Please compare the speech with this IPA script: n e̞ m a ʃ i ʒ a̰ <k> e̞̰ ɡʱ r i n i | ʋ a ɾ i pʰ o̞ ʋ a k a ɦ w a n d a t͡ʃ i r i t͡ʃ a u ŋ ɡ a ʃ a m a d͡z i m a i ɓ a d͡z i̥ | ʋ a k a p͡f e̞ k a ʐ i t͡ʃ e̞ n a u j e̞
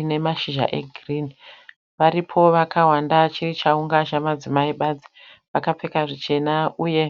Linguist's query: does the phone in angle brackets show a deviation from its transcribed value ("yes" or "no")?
yes